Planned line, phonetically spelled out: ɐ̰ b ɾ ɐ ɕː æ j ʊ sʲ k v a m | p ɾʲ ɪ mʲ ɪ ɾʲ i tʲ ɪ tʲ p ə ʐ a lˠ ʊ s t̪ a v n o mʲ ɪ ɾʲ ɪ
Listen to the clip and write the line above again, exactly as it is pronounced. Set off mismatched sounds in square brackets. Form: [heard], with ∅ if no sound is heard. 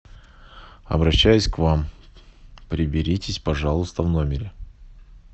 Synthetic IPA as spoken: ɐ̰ b ɾ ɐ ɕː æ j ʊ sʲ k v a m | p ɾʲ ɪ [bʲ] ɪ ɾʲ i tʲ ɪ [sʲ] p [ɐ] ʐ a lˠ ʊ s t̪ [ə] v n o mʲ ɪ ɾʲ ɪ